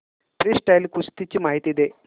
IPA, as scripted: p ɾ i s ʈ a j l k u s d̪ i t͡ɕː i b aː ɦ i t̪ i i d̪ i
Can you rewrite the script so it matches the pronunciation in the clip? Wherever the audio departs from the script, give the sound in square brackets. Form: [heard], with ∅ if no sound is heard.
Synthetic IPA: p ɾ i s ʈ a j l k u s [t̪] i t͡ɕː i [m] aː ɦ i t̪ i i d̪ [e]